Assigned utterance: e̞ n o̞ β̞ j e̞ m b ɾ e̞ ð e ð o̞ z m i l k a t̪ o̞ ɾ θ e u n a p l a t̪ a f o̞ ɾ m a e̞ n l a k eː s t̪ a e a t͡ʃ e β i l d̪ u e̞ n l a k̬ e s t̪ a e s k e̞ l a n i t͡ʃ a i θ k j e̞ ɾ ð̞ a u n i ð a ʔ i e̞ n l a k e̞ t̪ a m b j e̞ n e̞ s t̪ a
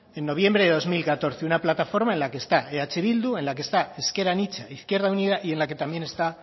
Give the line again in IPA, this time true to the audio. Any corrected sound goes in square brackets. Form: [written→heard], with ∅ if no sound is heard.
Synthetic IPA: e̞ [n→nː] o̞ β̞ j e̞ m b ɾ e̞ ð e ð o̞ z m i l k a t̪ o̞ ɾ θ e u n a p l a t̪ a f o̞ ɾ m a e̞ n l a k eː s t̪ a e a t͡ʃ e β i l d̪ u e̞ n l a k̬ e s t̪ a e s k e̞ [l→ɾ] a n i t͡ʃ a i θ k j e̞ ɾ ð̞ a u n i ð a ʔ i e̞ n l a k e̞ t̪ a m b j e̞ n e̞ s t̪ a